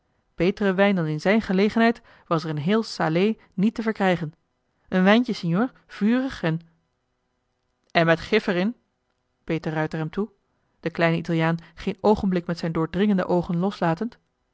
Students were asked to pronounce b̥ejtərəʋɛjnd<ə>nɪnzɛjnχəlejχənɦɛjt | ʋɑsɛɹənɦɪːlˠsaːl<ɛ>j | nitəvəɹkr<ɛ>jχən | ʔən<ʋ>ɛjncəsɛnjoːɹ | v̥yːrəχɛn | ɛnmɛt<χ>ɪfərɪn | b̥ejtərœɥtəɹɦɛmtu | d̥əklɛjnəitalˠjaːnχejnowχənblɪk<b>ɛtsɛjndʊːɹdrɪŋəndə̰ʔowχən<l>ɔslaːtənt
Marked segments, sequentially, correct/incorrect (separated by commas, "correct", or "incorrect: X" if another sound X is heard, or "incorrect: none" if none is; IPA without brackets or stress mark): incorrect: ɑ, incorrect: e, correct, correct, correct, incorrect: m, correct